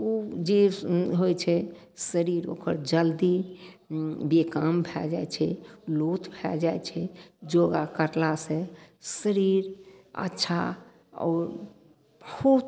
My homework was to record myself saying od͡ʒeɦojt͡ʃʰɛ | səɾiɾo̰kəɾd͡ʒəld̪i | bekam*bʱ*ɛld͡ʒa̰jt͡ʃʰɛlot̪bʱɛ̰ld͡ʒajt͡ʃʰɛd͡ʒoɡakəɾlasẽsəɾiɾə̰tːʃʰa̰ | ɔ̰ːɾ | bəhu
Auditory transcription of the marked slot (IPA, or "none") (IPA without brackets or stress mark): bʱ